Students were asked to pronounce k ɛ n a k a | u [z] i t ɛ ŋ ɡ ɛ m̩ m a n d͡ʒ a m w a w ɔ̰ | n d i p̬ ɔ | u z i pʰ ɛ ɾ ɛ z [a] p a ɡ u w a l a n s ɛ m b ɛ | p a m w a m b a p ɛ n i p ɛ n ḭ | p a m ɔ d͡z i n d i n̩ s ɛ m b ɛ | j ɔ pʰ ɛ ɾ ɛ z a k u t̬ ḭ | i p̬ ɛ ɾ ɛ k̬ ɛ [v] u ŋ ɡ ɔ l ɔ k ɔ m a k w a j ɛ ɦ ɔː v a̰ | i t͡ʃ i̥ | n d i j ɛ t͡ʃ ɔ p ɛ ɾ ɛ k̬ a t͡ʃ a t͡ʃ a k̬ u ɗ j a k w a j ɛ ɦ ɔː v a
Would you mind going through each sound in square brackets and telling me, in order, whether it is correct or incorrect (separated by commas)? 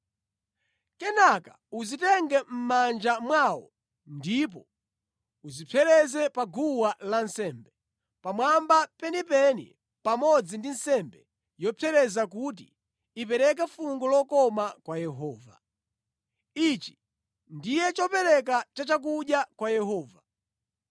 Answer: correct, incorrect, incorrect